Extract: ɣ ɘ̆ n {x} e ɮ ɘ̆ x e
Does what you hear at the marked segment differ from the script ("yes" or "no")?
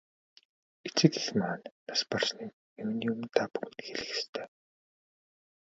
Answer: no